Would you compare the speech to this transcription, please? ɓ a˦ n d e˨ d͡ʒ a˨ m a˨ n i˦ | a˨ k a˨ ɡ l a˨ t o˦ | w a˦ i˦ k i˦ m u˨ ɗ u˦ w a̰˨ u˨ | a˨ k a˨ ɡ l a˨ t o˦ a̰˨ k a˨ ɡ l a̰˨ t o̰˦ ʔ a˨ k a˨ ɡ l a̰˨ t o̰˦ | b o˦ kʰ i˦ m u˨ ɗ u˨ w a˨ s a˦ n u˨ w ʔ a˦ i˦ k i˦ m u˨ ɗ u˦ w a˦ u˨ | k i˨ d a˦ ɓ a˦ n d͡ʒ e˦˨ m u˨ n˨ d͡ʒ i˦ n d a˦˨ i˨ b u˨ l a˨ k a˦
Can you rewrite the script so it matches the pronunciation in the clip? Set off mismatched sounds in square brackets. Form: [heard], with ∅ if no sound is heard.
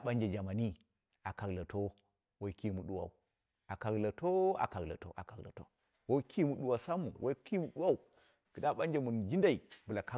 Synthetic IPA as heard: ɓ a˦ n [d͡ʒ] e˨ d͡ʒ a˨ m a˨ n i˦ | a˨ k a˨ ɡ l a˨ t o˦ | w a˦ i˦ k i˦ m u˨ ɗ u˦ w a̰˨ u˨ | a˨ k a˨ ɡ l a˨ t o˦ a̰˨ k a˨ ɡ l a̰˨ t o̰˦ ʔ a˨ k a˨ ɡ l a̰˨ t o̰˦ | [w] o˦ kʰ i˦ m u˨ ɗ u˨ w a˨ s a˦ [m] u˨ w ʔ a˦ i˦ k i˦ m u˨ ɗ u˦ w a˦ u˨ | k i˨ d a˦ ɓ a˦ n d͡ʒ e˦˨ m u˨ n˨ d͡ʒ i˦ n d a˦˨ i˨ b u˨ l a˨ k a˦